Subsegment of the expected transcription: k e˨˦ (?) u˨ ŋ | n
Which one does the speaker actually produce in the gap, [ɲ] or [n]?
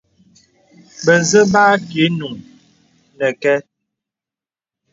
n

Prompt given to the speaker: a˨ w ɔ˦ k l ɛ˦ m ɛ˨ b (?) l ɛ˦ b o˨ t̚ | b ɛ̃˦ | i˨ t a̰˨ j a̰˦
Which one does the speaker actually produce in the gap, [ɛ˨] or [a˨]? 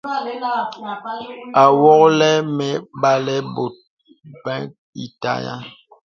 a˨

